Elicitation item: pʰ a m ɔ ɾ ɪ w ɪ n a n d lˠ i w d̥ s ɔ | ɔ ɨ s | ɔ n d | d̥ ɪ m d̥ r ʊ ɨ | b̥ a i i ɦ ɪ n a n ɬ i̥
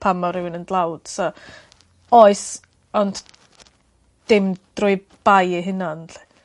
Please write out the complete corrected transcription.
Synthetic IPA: pʰ a m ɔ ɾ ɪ w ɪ n ə n d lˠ a w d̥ s ɔ | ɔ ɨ s | ɔ n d | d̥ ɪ m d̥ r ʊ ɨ | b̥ a j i ɦ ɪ n a n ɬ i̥